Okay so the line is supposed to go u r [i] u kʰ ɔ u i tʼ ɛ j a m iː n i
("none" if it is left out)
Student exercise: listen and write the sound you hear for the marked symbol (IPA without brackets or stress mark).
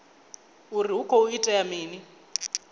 i